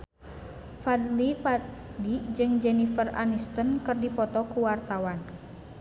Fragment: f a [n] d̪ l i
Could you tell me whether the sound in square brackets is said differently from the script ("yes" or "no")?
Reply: yes